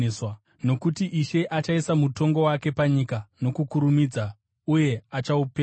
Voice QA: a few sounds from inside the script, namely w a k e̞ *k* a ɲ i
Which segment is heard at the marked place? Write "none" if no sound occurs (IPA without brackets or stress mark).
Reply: p